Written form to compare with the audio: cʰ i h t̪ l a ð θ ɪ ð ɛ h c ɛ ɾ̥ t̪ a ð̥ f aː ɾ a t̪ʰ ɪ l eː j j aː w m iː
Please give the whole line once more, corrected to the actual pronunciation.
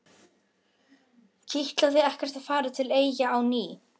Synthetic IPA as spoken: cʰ i h t̪ l a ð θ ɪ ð ɛ h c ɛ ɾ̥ t̪ a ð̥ f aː ɾ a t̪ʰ ɪ l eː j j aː w n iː